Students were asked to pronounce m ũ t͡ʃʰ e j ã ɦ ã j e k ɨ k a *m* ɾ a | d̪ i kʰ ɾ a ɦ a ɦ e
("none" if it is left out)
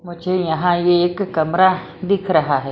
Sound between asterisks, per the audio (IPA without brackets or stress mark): m